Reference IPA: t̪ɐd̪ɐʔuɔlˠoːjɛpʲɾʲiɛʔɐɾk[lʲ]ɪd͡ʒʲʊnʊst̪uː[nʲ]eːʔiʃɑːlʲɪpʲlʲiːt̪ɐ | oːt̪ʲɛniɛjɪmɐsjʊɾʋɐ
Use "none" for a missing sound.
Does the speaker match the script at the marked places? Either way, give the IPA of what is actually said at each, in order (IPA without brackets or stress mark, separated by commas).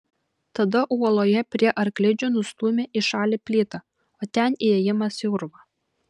lʲ, mʲ